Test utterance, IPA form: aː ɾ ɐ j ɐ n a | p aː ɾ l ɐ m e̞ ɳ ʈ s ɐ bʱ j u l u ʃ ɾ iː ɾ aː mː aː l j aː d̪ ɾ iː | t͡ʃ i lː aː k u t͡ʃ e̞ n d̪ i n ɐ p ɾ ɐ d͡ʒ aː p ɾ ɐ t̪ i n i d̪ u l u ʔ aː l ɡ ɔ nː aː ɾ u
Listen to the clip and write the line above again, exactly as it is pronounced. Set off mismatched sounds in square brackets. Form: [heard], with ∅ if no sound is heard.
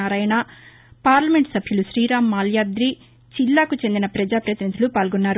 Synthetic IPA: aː ɾ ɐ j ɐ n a | p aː ɾ l ɐ m e̞ ɳ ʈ s ɐ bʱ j u l u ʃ ɾ iː ɾ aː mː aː l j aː d̪ ɾ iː | t͡ʃ i lː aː k u t͡ʃ e̞ n d̪ i n ɐ p ɾ ɐ d͡ʒ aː p ɾ ɐ t̪ i n i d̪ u l u [p] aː l ɡ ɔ nː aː ɾ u